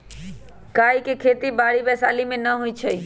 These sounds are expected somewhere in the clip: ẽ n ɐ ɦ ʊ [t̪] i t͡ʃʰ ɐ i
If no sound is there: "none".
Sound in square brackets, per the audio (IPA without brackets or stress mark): none